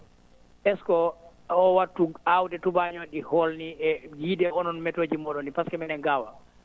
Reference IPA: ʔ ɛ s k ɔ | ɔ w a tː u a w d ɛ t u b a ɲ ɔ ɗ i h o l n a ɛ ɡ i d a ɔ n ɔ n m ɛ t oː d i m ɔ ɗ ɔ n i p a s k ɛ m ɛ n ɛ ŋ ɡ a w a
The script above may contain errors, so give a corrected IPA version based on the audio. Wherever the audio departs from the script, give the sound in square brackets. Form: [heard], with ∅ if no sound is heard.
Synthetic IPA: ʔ ɛ s k ɔ | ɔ w a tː u a w d ɛ t u b a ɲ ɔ ɗ i h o l n [i] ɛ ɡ i d [ɛ] ɔ n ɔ n m ɛ t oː [d͡ʒ] i m ɔ ɗ ɔ n i p a s k ɛ m ɛ n ɛ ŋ ɡ a w a

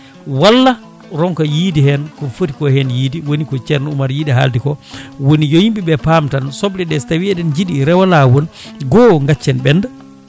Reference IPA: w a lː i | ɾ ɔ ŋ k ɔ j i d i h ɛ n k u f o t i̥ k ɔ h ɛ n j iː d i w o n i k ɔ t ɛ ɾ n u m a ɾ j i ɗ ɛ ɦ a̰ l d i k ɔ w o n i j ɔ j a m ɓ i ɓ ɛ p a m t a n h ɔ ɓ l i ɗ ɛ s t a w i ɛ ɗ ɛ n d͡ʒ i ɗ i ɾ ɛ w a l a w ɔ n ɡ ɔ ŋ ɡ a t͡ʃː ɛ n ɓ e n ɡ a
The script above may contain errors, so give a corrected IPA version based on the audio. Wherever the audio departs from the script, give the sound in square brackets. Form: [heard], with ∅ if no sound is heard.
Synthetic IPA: w a lː [a] | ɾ ɔ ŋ k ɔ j i d i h ɛ n k [ɔ] f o t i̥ k ɔ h ɛ n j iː d i w o n i k ɔ [t͡ʃ] ɛ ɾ n u m a ɾ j i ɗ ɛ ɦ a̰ l d i k ɔ w o n i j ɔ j [i] m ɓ i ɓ ɛ p a m t a n [s] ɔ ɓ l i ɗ ɛ s t a w i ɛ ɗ ɛ n d͡ʒ i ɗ i ɾ ɛ w a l a w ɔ n ɡ ɔ ŋ ɡ a t͡ʃː ɛ n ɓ [ɛ] n [d] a

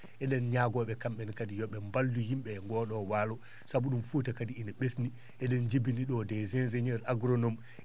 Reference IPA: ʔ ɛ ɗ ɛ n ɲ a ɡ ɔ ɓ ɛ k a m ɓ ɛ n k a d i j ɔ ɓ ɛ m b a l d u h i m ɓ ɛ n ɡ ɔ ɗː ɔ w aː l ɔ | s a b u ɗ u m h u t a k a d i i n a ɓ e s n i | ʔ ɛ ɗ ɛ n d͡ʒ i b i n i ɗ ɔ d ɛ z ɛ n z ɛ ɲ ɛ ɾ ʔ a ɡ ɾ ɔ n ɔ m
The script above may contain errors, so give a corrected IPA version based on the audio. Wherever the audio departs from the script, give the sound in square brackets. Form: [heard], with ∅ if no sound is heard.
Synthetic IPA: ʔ ɛ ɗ ɛ n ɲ a ɡ ɔ ɓ ɛ k a m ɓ ɛ n k a d i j ɔ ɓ ɛ m b a l d u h i m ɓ ɛ [ŋ] ɡ ɔ [ɗ] ɔ w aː l ɔ | s a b u ɗ u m [f] u t a k a d i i n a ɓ e s n i | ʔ ɛ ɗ ɛ n d͡ʒ i b i n i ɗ ɔ d ɛ z ɛ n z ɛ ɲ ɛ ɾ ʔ a ɡ ɾ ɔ n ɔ m

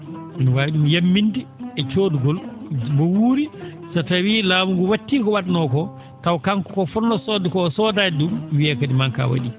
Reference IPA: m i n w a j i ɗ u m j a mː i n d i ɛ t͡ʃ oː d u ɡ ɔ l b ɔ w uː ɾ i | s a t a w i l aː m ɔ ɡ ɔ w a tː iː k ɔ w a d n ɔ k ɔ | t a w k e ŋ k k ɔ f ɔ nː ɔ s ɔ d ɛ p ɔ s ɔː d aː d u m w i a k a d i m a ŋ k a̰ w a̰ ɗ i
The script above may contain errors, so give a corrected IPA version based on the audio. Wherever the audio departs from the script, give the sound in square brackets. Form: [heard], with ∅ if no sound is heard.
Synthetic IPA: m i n w a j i ɗ u m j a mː i n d i ɛ t͡ʃ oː d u ɡ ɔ l b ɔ w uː ɾ i | s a t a w i l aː m [u] ɡ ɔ w a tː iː k ɔ w a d n ɔ k ɔ | t a w k [a] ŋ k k ɔ f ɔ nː ɔ s ɔ d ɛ [k] ɔ s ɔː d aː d u m w i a k a d i m a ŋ k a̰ w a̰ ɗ i

